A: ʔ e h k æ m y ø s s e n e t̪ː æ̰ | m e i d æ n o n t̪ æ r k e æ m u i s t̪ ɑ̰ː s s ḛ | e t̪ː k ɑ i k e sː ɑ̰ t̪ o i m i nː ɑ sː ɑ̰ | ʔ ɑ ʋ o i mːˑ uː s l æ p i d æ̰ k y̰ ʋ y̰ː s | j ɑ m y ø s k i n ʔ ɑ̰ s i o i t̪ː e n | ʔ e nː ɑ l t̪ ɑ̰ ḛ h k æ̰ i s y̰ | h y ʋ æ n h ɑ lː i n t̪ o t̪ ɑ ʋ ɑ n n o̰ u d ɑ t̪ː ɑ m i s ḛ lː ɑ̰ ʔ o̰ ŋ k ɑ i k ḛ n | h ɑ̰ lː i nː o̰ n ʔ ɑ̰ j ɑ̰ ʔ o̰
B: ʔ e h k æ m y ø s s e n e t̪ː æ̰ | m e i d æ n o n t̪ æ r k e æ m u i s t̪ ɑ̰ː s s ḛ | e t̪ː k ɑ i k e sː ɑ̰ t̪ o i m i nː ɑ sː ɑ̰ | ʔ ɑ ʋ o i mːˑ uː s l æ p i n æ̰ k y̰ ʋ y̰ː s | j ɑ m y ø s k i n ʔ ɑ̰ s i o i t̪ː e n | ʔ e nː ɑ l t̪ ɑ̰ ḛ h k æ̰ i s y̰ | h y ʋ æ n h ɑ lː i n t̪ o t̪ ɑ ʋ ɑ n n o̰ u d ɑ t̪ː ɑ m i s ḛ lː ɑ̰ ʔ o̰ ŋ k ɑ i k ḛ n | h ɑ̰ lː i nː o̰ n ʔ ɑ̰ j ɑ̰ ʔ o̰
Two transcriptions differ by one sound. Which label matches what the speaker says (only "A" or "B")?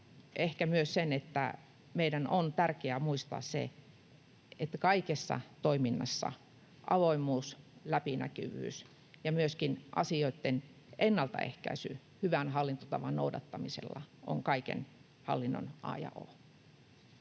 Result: B